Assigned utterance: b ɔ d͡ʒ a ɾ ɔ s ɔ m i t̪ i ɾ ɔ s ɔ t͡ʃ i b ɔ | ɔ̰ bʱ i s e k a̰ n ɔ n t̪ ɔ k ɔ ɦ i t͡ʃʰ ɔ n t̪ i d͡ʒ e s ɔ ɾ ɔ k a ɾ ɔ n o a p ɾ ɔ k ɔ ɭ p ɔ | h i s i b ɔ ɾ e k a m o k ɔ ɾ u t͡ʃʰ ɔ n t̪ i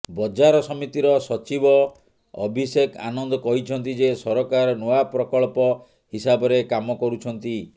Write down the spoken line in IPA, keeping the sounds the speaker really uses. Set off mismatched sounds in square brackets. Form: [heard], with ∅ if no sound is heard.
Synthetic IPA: b ɔ d͡ʒ a ɾ ɔ s ɔ m i t̪ i ɾ ɔ s ɔ t͡ʃ i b ɔ | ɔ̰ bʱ i s e k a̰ n ɔ n [d̪] ɔ k ɔ ɦ i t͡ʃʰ ɔ n t̪ i d͡ʒ e s ɔ ɾ ɔ k a ɾ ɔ n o a p ɾ ɔ k ɔ ɭ p ɔ | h i s [a] b ɔ ɾ e k a m [ɔ] k ɔ ɾ u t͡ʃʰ ɔ n t̪ i